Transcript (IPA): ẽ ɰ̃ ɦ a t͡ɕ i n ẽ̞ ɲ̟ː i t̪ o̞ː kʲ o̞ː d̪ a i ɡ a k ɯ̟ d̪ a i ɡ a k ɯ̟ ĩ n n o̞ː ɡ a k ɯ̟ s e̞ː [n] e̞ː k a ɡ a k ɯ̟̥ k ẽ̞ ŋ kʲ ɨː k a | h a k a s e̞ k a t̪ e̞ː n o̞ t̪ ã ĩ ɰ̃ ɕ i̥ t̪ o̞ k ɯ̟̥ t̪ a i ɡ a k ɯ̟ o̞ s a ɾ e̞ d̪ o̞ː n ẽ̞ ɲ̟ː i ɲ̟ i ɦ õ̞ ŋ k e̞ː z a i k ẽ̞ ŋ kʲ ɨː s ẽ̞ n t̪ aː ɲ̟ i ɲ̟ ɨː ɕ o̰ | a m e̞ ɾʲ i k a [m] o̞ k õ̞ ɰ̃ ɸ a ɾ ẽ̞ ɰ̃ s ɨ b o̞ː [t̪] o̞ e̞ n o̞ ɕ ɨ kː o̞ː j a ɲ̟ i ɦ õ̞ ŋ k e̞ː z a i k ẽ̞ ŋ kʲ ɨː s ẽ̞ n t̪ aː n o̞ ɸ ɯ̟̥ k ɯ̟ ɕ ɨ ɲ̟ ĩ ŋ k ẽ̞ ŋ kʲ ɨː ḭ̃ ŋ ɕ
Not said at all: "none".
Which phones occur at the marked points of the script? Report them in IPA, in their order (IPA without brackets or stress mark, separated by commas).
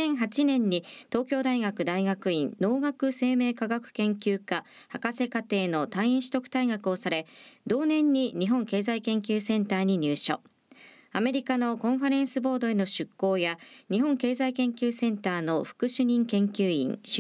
m, n, d̪